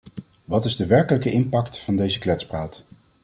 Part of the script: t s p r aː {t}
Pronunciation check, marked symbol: correct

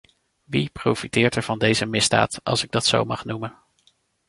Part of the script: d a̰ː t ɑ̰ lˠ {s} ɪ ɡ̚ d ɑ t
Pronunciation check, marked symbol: correct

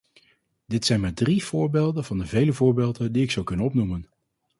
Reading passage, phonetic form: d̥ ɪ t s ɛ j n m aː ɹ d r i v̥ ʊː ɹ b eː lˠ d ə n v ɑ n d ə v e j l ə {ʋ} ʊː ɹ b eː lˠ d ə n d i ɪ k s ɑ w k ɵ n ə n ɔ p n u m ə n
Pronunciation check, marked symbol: incorrect: v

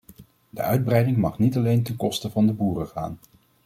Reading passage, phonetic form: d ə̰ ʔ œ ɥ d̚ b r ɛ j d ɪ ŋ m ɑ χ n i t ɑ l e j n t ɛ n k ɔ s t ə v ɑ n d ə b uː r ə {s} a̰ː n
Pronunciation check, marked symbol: incorrect: χ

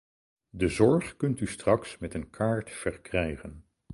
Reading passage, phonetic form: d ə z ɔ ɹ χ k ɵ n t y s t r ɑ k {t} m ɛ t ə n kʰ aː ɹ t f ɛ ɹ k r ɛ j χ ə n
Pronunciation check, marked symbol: incorrect: s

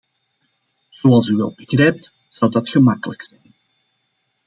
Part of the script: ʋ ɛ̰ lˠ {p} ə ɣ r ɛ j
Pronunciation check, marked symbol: incorrect: b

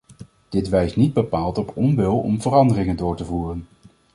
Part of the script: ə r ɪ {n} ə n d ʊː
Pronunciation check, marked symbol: incorrect: ŋ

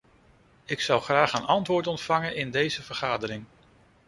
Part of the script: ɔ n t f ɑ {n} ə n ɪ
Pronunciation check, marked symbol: incorrect: ŋ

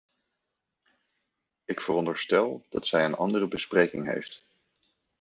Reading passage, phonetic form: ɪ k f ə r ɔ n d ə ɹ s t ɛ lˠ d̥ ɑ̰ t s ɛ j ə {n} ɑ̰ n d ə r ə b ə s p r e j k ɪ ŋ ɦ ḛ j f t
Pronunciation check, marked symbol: correct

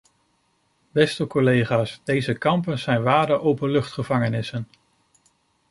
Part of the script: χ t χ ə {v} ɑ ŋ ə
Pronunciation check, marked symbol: correct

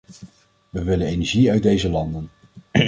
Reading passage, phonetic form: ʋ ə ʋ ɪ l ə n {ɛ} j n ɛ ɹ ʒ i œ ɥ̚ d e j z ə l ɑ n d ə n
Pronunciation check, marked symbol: incorrect: e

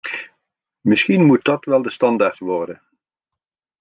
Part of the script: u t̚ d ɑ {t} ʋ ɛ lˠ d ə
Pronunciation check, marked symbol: correct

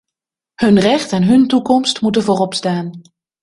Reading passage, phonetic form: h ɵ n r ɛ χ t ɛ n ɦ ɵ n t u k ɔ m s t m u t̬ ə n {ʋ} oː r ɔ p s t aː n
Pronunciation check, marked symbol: incorrect: v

